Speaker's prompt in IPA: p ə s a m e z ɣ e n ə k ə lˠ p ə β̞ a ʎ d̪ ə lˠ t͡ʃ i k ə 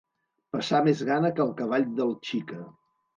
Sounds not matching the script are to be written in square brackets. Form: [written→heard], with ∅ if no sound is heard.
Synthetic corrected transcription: p ə s a m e z ɣ [e→a] n ə k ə lˠ [p→k] ə β̞ a ʎ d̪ ə lˠ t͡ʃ i k ə